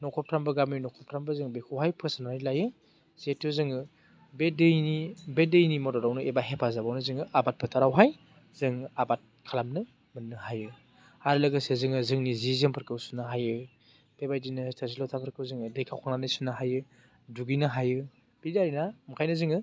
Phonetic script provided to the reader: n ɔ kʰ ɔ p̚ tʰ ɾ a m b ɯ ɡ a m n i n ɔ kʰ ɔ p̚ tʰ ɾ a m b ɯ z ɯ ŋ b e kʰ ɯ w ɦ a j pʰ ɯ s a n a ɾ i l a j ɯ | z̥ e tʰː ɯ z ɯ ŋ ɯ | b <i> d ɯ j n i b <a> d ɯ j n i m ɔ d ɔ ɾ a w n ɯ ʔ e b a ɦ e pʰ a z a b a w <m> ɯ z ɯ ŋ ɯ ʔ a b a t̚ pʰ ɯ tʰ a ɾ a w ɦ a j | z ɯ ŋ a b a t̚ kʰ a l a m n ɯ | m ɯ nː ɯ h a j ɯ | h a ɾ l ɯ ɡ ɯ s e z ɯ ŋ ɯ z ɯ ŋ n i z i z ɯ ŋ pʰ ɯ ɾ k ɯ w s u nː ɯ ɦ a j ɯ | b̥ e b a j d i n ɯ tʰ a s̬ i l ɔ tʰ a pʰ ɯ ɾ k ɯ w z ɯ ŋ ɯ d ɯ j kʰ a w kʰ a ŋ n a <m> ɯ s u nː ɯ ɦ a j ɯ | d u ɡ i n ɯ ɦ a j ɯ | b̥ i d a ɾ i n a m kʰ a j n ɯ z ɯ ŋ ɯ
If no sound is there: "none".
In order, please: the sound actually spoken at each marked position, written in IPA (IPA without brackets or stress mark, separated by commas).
e, e, n, n